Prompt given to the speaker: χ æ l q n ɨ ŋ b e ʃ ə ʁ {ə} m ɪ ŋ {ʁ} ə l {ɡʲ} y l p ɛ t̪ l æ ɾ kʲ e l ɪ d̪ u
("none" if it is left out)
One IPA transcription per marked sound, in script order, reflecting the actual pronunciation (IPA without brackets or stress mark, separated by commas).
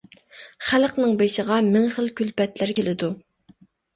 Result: ɑ, χ, kʲ